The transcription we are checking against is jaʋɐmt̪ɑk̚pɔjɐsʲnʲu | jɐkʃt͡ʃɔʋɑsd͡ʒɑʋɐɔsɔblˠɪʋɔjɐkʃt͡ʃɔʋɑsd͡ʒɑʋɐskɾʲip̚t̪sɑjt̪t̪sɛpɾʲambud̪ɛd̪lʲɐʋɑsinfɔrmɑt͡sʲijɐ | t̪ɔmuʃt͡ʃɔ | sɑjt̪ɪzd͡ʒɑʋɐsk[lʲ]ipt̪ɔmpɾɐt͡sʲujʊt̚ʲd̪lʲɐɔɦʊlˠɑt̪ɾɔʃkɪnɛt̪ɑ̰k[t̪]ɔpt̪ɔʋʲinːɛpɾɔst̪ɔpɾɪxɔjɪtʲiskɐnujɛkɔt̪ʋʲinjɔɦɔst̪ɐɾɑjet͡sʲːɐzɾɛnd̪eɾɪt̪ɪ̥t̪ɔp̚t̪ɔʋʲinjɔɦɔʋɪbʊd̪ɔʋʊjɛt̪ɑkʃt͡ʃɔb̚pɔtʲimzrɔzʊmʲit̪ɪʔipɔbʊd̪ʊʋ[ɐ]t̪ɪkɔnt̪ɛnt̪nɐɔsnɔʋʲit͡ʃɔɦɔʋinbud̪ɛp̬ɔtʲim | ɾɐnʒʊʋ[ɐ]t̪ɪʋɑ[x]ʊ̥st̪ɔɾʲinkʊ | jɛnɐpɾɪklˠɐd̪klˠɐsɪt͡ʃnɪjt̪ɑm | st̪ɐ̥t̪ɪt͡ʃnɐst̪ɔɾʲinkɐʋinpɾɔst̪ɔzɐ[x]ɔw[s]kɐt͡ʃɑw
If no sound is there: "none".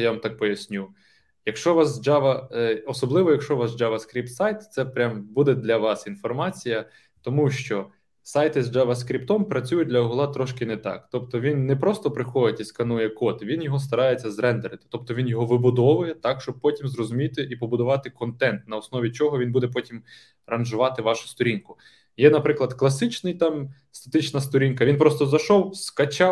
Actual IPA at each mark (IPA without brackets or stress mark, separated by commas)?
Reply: ɾʲ, t̪, ɑ, ɑ, ʃ, ʃ, s